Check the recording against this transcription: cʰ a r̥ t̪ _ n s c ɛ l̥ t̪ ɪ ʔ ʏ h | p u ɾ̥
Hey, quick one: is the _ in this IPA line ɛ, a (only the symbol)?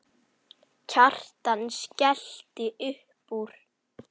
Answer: a